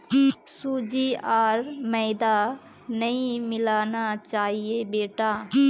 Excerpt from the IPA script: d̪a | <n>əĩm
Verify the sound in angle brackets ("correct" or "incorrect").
correct